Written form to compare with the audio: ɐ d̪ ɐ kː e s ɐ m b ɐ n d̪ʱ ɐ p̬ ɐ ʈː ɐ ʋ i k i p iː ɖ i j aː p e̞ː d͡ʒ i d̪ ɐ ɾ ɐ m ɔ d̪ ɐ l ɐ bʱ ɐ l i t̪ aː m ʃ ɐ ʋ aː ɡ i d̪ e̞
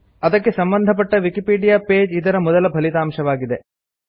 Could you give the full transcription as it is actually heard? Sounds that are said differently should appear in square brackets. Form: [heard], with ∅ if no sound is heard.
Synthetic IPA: ɐ d̪ ɐ kː e s ɐ m b ɐ n d̪ʱ ɐ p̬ ɐ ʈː ɐ ʋ i k i p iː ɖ i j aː p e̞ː d͡ʒ i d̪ ɐ ɾ ɐ m ɔ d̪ ɐ l ɐ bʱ ɐ l i t̪ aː m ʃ ɐ ʋ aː ɡ i d̪ e̞